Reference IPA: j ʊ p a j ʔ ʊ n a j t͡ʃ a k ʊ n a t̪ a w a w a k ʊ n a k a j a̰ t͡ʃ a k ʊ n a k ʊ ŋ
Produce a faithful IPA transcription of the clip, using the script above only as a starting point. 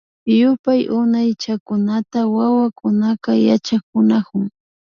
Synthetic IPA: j ʊ p a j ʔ ʊ n a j t͡ʃ a k ʊ n a t̪ a w a w a k ʊ n a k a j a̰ t͡ʃ a k ʊ n a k ʊ ŋ